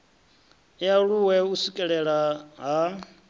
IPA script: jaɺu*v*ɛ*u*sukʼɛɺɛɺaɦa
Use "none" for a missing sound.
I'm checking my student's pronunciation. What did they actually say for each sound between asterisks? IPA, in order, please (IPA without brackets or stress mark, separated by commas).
w, u